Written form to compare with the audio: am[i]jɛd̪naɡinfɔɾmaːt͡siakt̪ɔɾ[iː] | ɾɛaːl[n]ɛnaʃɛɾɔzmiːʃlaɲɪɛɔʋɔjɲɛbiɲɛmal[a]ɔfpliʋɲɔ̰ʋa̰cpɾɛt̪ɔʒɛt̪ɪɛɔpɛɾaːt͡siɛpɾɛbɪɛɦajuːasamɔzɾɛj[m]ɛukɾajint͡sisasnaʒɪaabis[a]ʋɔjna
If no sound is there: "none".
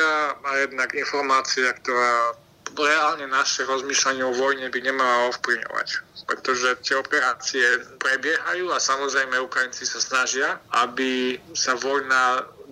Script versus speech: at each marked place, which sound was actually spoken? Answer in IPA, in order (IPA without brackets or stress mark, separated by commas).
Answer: a, aː, ɲ, a, m, a